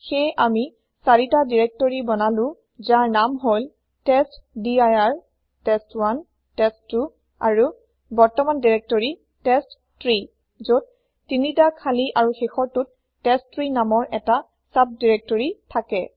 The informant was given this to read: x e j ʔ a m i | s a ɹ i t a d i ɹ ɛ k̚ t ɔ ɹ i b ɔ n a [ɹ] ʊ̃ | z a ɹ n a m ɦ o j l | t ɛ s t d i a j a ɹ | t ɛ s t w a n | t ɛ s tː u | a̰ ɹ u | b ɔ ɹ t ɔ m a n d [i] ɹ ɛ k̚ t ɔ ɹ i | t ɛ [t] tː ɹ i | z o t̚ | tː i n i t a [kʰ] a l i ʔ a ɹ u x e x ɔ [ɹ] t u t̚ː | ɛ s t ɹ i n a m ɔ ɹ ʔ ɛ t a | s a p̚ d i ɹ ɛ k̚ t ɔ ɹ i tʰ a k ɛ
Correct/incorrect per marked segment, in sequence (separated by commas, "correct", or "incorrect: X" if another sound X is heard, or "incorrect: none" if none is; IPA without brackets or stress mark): incorrect: l, correct, incorrect: s, correct, correct